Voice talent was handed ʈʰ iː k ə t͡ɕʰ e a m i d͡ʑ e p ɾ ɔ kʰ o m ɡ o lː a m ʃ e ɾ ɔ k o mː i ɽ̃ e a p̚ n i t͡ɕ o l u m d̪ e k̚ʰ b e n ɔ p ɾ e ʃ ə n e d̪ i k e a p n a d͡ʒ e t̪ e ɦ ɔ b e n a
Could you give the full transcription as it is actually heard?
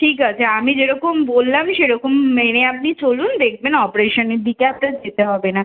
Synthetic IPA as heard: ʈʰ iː k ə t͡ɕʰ e a m i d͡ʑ e ɾ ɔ k o m b o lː a m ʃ e ɾ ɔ k o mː e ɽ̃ e a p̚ n i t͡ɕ o l u n d̪ e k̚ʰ b e n ɔ p ɾ e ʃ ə n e d̪ i k e a p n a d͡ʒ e t̪ e ɦ ɔ b e n a